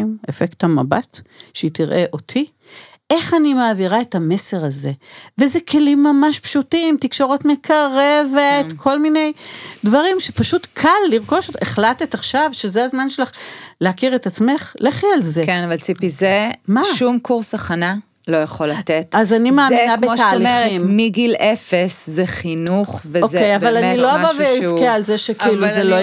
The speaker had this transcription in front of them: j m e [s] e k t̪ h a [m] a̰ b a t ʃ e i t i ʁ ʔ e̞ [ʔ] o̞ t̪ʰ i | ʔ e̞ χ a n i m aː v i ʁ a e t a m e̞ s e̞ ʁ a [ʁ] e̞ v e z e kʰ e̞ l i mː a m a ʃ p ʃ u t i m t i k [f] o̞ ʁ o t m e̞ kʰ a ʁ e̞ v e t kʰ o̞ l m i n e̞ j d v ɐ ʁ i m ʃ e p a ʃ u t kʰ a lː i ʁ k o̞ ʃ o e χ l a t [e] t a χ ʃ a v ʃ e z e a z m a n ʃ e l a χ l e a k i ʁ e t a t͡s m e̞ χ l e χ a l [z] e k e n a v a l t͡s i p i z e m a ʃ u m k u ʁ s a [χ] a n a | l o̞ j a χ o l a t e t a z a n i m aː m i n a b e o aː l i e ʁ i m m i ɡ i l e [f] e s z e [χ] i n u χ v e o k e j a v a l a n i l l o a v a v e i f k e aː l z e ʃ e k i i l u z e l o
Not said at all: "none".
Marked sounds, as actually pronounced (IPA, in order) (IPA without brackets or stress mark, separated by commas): f, m, ʔ, z, ʃ, e, z, χ, f, χ